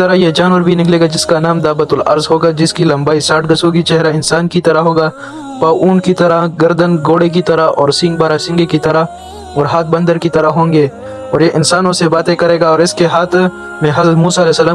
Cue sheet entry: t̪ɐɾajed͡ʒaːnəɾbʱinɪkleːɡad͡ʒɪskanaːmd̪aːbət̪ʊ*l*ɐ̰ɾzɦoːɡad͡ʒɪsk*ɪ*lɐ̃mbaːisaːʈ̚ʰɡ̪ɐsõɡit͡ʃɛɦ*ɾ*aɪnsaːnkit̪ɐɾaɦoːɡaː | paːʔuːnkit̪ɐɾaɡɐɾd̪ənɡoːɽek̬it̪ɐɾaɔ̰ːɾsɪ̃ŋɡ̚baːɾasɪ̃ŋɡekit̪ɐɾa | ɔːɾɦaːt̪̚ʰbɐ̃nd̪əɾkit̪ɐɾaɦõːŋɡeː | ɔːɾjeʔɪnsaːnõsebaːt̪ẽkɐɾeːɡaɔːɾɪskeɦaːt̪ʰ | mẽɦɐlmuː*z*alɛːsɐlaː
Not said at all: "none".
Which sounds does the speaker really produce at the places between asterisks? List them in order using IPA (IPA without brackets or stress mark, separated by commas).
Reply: l, i, ɾ, s